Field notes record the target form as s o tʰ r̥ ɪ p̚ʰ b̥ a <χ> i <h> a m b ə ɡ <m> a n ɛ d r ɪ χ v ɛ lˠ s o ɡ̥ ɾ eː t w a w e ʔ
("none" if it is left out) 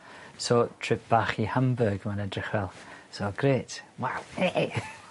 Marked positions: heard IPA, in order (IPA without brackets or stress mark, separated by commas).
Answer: χ, h, m